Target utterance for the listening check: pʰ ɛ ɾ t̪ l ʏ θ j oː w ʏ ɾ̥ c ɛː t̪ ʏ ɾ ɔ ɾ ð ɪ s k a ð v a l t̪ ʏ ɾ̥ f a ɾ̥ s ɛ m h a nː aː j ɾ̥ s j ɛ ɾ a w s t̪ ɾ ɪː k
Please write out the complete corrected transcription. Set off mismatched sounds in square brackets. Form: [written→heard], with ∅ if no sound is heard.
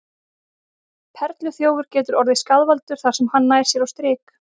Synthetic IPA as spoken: pʰ ɛ ɾ t̪ l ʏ θ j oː w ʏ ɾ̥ c ɛː t̪ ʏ ɾ ɔ ɾ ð ɪ s k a ð v a l t̪ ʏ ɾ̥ [f→θ] a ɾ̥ s ɛ m h a nː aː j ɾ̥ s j ɛ ɾ a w s t̪ ɾ ɪː k